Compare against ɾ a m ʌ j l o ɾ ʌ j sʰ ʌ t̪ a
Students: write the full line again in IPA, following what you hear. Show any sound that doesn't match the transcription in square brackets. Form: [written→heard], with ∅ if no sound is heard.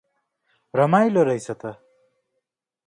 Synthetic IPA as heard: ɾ [a→ʌ] m [ʌ→a] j l o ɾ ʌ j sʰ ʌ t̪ [a→ʌ]